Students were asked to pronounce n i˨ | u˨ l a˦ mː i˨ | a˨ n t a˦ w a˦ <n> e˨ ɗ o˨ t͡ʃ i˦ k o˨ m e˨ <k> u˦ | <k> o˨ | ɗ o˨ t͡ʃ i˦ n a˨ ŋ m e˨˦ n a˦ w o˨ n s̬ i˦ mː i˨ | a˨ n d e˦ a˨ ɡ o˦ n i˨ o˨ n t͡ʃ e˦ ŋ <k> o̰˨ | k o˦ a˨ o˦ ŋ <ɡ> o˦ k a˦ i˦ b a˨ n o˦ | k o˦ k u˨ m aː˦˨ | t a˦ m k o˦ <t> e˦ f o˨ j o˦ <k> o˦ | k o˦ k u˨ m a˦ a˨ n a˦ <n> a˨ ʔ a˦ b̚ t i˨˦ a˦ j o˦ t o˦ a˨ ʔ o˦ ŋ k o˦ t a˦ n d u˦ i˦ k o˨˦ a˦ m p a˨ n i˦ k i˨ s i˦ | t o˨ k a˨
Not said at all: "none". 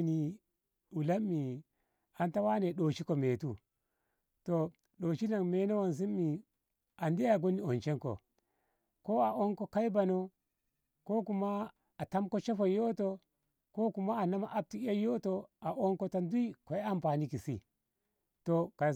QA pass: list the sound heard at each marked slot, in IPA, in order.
n, t, t, k, k, t͡ʃ, t, m

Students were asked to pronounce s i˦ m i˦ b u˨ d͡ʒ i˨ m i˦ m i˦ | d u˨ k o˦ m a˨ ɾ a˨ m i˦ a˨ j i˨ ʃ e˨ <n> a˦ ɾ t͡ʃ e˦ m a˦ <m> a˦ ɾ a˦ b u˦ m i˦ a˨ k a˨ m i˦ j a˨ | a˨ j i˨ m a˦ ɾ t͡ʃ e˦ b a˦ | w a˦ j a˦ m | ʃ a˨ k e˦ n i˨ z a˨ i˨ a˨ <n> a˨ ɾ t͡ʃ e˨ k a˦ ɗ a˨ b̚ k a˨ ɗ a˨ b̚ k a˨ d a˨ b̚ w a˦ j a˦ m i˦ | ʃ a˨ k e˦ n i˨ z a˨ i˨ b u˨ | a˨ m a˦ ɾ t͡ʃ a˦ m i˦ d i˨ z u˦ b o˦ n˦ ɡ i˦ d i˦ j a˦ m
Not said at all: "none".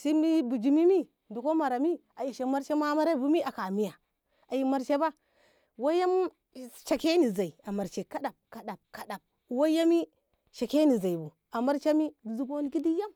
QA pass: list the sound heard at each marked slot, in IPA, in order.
m, m, m

